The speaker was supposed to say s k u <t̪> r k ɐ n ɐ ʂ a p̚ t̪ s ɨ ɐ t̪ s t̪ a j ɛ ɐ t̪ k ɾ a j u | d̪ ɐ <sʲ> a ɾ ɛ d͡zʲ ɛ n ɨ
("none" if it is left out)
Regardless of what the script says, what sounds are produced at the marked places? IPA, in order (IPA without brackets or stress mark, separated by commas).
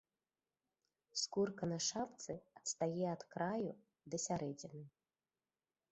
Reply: none, sʲ